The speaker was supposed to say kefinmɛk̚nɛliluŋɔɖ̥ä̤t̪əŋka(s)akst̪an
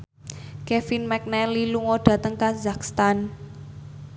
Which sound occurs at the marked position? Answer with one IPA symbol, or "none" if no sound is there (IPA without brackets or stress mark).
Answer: z